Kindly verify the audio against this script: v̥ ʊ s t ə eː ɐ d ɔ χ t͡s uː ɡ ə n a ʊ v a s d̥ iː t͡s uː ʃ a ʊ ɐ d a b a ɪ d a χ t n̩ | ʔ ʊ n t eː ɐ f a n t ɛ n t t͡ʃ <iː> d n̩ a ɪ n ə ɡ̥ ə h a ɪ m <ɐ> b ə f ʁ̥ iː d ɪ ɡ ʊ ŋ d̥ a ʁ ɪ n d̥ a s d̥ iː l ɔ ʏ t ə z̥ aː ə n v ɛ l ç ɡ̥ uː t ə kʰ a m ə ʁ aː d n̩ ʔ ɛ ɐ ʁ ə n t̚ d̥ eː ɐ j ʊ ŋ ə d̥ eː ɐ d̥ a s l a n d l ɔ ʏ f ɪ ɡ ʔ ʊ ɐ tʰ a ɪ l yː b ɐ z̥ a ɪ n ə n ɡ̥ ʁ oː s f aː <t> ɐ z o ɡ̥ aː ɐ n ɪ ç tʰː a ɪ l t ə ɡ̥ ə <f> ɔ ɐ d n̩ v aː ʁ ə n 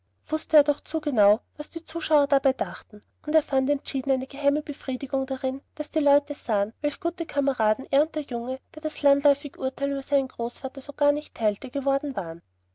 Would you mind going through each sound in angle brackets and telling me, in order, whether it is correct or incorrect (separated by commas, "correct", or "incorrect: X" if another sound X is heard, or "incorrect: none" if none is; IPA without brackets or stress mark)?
correct, incorrect: ə, correct, incorrect: v